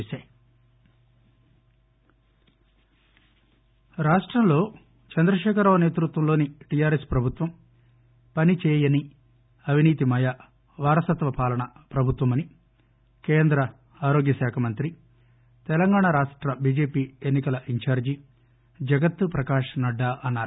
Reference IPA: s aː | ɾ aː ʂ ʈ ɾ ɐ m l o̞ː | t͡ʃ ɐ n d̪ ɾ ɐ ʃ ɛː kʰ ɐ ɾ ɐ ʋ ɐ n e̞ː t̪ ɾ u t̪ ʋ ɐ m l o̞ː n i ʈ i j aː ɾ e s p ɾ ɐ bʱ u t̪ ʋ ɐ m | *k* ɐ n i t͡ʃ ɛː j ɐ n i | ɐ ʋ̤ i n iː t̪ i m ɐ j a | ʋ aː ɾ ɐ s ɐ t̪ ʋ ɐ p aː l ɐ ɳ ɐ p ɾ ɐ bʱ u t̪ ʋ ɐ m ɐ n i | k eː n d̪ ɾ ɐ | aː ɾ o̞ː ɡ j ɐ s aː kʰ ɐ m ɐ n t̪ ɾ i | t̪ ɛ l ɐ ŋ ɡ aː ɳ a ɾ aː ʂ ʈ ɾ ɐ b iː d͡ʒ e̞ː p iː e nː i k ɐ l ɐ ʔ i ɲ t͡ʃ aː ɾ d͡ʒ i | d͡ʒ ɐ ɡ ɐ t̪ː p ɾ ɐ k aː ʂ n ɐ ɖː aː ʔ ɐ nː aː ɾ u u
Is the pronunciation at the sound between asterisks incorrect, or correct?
incorrect